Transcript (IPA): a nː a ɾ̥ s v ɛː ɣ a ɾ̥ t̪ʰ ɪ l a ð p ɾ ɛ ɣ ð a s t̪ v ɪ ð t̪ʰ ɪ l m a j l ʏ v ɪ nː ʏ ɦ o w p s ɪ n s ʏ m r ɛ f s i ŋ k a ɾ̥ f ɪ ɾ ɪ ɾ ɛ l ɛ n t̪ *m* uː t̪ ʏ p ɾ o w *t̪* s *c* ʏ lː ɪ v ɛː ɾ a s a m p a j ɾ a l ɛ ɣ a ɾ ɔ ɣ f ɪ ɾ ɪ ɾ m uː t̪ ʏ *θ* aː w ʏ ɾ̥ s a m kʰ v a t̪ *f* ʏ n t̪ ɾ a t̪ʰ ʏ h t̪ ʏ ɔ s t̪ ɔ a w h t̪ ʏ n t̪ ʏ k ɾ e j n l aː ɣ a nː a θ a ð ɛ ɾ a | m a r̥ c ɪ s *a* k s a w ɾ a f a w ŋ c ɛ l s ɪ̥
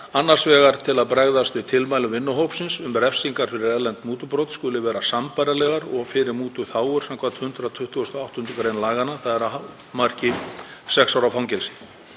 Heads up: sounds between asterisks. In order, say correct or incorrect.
correct, correct, incorrect: k, correct, incorrect: h, incorrect: ɛ

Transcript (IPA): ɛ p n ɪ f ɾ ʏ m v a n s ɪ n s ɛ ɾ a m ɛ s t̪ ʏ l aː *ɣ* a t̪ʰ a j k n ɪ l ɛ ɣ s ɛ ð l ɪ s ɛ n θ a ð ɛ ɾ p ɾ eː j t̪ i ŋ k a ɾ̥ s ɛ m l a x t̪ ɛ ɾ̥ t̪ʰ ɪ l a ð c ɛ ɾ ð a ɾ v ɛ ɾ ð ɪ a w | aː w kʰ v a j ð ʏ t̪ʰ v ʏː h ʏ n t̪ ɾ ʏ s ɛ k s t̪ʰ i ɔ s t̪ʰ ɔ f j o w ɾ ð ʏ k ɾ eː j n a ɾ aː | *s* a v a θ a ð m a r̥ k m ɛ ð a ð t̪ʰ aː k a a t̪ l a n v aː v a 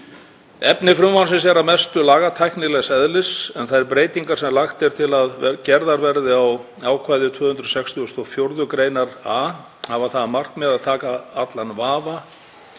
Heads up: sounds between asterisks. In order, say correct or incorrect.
correct, incorrect: h

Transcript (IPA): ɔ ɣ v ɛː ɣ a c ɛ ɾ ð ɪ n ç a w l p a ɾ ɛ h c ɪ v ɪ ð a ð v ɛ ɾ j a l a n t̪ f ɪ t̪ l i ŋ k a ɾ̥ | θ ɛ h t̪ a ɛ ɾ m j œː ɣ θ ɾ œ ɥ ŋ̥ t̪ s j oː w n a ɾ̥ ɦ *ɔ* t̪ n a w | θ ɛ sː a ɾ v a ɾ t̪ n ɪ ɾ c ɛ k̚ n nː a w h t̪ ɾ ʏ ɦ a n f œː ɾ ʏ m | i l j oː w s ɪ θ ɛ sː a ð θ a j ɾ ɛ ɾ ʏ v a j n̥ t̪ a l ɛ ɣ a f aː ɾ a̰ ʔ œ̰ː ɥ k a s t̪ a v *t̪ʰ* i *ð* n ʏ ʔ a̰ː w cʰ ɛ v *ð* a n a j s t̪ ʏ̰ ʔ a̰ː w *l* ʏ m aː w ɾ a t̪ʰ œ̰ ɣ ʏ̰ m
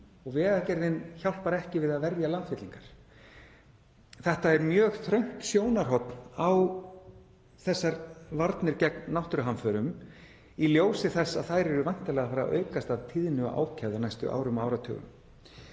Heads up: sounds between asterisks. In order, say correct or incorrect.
correct, correct, correct, correct, incorrect: ɾ

